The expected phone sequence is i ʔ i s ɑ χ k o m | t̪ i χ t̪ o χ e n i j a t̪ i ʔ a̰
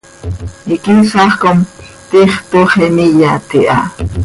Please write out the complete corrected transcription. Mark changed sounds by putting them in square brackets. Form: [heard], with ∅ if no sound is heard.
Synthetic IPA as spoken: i [k] i s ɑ χ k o m | t̪ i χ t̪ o χ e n i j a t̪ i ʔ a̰